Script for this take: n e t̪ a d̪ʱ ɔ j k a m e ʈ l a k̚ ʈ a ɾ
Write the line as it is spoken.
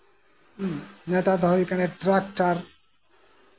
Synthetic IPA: n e t̪ a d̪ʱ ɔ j k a n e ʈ ɾ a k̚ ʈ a ɾ